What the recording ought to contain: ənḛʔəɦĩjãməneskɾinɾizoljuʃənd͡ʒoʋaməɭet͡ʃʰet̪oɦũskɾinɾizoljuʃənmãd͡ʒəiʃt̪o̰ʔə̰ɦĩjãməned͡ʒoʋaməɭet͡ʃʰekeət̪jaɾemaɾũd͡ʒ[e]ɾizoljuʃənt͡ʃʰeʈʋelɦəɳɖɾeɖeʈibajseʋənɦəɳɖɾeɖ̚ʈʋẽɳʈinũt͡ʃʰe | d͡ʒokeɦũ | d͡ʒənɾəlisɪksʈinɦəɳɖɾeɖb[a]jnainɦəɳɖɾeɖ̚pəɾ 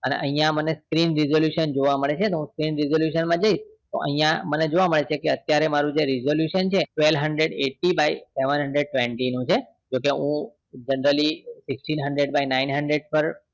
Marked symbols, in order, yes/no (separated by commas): yes, yes